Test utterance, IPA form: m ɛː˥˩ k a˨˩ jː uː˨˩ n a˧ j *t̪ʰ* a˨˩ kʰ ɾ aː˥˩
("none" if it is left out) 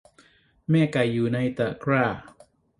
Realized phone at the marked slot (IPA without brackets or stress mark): t̪